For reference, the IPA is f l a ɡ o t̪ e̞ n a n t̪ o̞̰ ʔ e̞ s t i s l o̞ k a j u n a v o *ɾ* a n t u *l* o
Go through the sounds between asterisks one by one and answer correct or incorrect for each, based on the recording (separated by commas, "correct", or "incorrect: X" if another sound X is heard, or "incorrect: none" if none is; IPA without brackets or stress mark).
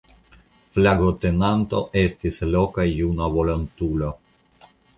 incorrect: l, correct